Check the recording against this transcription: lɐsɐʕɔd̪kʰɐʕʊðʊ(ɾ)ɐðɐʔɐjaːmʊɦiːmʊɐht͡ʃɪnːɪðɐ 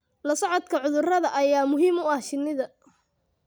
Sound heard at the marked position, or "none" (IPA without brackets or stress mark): r